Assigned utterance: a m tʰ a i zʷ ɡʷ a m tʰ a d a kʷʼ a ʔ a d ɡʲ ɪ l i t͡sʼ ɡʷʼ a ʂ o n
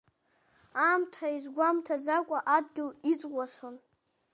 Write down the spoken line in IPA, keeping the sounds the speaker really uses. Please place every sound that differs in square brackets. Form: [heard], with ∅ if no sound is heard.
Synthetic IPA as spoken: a m tʰ a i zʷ ɡʷ a m tʰ a [d͡z] a kʷʼ a ʔ a d ɡʲ ɪ l i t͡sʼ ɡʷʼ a ʂ o n